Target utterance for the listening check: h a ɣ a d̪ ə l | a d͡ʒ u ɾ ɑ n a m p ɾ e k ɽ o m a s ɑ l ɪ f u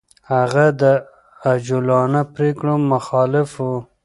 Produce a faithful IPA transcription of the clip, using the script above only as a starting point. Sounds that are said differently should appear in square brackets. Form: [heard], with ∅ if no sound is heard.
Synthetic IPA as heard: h a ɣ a d̪ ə [∅] | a d͡ʒ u [l] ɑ n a [∅] p ɾ e k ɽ o m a [x] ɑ l ɪ f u